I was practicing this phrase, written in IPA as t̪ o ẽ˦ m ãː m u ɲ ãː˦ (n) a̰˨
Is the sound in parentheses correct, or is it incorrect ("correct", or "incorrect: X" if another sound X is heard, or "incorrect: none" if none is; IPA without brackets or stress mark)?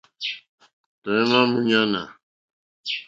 correct